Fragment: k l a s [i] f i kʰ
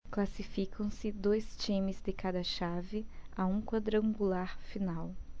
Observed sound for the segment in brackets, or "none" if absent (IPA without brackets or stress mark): i